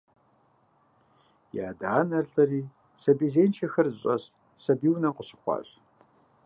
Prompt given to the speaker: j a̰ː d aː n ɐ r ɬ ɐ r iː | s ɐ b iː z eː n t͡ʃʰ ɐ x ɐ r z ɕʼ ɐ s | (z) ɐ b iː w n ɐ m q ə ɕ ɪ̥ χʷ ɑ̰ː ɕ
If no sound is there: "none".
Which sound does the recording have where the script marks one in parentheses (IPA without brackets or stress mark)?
s